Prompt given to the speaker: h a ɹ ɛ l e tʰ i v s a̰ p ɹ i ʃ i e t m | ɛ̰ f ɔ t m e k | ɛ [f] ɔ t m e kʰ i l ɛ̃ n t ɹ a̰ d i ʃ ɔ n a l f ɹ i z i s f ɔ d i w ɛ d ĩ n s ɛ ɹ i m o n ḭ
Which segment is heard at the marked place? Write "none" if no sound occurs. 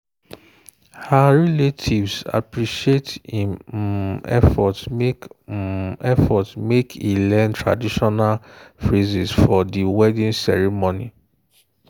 f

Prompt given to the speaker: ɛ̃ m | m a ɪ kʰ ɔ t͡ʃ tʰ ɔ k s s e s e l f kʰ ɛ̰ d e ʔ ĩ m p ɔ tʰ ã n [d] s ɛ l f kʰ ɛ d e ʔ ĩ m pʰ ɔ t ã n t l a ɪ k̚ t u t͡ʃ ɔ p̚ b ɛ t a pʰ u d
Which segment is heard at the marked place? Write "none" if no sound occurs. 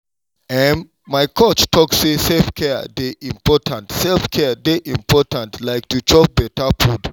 t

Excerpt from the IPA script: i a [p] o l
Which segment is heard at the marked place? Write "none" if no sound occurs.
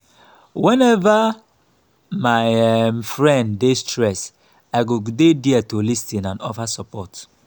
t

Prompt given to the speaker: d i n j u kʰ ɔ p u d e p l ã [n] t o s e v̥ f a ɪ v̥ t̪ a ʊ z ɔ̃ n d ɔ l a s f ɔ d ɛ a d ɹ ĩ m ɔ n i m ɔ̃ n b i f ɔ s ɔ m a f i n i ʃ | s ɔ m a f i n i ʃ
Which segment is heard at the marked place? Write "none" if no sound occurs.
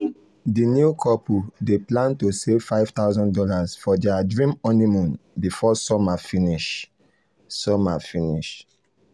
n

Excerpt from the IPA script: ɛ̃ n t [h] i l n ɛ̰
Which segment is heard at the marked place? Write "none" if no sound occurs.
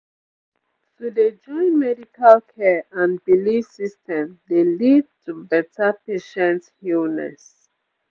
h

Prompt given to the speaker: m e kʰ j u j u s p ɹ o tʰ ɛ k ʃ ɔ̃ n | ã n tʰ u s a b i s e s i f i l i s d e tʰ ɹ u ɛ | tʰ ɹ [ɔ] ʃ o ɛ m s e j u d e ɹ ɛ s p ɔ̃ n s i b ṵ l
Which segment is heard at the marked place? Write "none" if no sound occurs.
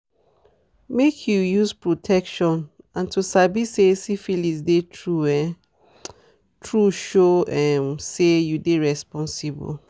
u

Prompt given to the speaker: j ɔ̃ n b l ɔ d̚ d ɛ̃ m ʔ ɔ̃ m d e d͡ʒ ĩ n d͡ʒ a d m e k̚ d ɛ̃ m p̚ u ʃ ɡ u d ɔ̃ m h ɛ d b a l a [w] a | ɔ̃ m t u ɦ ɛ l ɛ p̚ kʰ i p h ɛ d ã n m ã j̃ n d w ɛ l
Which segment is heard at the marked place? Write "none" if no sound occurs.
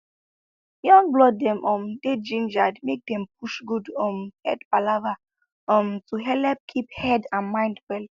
v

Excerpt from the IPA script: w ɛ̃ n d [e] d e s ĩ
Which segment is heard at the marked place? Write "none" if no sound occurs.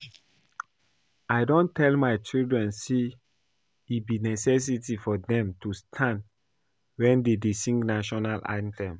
e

